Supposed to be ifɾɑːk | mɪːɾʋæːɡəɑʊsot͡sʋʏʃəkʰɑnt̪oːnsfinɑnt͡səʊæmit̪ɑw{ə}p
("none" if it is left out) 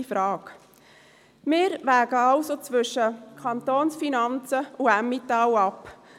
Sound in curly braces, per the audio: ɑ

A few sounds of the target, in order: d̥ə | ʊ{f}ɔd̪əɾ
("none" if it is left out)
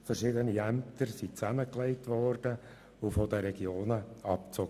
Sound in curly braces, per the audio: f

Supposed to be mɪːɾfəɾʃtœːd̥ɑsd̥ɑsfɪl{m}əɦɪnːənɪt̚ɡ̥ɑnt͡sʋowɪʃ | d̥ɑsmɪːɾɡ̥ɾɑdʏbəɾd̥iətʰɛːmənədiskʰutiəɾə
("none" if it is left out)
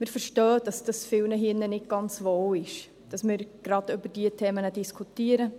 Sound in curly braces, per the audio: n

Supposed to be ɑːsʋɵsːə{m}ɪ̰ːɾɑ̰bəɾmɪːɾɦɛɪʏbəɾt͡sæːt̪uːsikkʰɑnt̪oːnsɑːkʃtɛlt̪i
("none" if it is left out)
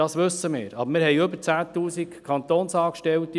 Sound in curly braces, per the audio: m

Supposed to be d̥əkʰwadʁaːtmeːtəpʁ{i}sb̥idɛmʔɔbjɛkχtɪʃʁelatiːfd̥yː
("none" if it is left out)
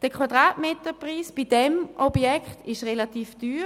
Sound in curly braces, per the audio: iː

